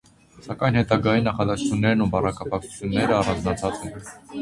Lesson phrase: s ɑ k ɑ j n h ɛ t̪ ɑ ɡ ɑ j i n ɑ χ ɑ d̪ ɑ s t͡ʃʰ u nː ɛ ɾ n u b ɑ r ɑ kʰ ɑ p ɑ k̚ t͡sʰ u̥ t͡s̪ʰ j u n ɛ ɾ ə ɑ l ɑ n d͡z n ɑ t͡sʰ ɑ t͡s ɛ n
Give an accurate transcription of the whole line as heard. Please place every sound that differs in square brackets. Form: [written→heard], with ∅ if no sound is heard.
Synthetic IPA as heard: s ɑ k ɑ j n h ɛ t̪ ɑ ɡ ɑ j i n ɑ χ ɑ d̪ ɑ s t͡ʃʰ u nː ɛ ɾ n u b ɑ r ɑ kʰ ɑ p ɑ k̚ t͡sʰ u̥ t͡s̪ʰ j u [n→nː] ɛ ɾ ə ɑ [l→r] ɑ n d͡z n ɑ t͡sʰ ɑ t͡s ɛ n